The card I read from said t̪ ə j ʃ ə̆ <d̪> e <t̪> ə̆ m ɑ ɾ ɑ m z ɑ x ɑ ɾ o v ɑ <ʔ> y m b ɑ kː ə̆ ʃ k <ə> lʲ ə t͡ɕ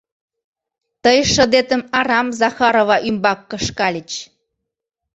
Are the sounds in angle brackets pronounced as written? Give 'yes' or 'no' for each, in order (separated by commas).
yes, yes, yes, no